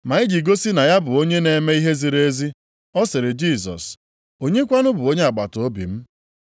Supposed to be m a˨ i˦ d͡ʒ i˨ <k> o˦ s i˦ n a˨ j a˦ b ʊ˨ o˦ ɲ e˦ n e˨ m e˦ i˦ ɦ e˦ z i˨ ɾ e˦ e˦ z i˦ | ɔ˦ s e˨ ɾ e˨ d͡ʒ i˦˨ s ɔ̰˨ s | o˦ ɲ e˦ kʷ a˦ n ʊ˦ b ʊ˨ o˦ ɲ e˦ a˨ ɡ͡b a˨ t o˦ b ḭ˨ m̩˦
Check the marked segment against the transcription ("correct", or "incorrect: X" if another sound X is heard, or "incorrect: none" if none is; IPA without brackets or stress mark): incorrect: ɡ